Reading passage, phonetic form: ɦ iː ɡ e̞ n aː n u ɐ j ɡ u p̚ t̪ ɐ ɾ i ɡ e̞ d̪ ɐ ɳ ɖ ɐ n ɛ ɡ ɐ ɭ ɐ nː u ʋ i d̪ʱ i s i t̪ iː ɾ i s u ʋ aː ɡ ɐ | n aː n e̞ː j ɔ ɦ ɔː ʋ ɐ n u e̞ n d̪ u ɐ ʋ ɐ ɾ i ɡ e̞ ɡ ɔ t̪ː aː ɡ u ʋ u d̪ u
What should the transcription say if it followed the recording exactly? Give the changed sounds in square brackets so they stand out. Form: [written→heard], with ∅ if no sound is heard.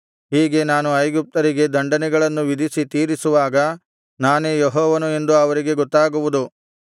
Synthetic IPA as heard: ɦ iː ɡ e̞ n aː n u ɐ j ɡ u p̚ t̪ ɐ ɾ i ɡ e̞ d̪ ɐ ɳ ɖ ɐ n ɛ ɡ ɐ ɭ ɐ nː u ʋ i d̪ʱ i s i t̪ iː ɾ i s u ʋ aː ɡ ɐ | n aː n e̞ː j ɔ ɦ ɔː ʋ ɐ n u e̞ n d̪ u ɐ ʋ ɐ ɾ i ɡ e̞ ɡ ɔ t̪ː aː ɡ u ʋ u d̪ u